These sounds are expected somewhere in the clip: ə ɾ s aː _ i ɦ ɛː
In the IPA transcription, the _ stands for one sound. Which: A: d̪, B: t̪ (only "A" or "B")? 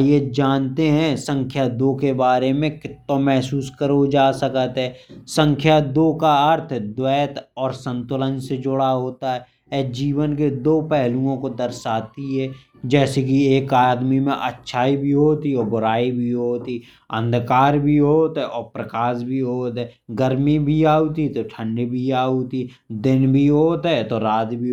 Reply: B